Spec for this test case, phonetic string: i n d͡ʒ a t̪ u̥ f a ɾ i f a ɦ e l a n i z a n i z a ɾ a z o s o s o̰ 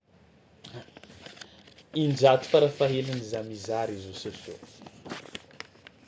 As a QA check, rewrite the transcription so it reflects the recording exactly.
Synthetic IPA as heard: i n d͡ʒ a t̪ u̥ f a ɾ a f a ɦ e l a n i z a m i z a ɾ i z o s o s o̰

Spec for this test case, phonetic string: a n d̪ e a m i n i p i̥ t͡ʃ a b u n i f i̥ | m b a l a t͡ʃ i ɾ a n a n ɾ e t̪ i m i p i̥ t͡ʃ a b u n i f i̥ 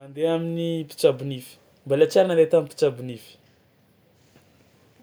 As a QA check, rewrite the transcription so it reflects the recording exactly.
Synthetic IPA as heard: a n d̪ e a m i n i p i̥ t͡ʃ a b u n i f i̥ | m b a l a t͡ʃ a ɾ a n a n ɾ e t̪ a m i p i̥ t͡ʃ a b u n i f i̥

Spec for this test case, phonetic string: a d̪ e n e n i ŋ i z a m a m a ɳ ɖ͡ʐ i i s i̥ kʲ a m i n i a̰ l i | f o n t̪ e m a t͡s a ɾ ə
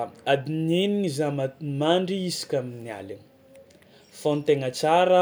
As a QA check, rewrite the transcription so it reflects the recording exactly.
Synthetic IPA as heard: a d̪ i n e n i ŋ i z a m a m a ɳ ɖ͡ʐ i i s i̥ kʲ a m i n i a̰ l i | f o n t̪ e ŋ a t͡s a ɾ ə

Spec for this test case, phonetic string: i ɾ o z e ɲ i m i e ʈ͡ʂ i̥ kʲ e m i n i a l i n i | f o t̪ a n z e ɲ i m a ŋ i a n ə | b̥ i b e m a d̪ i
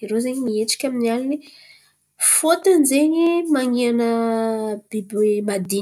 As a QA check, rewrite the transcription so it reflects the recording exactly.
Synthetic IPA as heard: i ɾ o z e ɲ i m i e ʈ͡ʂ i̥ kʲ a m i n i a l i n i | f o t̪ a n z e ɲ i m a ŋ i a n ə | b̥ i b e m a d̪ i

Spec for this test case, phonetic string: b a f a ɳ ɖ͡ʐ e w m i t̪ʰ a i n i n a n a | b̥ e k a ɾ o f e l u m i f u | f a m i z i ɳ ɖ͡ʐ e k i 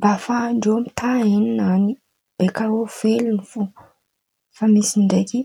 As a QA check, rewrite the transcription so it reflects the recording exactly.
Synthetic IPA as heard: b a f a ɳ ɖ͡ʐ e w m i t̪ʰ a i n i n a n i | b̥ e k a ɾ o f e l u n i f u | f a m i s i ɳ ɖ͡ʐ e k i

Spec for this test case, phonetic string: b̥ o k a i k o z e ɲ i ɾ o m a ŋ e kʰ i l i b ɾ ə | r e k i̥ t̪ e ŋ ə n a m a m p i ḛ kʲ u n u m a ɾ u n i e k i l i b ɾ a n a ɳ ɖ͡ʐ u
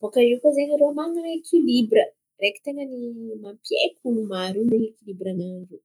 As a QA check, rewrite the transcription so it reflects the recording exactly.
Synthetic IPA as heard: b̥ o k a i k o z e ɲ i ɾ o m a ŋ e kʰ i l i b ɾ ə | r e k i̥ t̪ e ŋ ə n i m a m p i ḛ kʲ u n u m a ɾ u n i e k i l i b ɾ a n a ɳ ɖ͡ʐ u

